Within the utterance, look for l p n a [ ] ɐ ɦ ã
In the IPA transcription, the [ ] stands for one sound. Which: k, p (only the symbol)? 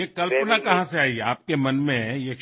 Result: k